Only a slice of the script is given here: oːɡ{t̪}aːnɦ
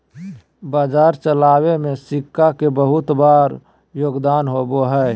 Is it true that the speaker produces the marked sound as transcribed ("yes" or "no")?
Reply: no